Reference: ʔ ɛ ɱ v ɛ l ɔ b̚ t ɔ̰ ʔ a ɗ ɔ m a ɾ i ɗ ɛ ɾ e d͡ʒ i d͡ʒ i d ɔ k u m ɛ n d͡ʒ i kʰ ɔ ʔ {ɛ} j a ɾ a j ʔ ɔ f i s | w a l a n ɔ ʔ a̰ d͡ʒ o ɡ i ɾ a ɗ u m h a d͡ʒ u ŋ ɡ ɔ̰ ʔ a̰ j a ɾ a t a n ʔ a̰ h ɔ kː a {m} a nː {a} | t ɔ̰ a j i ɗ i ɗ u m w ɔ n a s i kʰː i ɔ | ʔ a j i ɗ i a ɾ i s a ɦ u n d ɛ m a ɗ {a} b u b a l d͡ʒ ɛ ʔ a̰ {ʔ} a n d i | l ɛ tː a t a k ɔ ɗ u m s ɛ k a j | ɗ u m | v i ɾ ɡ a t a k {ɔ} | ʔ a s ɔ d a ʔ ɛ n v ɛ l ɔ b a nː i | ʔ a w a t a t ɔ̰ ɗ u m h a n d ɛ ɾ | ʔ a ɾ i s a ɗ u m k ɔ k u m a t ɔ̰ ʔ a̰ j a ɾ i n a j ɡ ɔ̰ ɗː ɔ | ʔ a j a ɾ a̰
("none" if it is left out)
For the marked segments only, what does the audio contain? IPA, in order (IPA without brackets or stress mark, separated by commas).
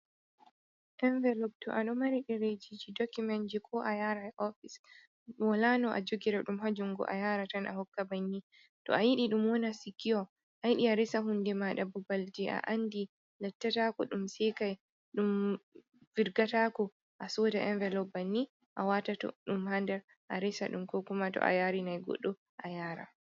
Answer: a, b, i, a, ʔ, ɔ